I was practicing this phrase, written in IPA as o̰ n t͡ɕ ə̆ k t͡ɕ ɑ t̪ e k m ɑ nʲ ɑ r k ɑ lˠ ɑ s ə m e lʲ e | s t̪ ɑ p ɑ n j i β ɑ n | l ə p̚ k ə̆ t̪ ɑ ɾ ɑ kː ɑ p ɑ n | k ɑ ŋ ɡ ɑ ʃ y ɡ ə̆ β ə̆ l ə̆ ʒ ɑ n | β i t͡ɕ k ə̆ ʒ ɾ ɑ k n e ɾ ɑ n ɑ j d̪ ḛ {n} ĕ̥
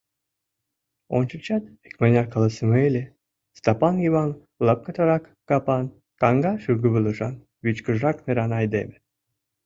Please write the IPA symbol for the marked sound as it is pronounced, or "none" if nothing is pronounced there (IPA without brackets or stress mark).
m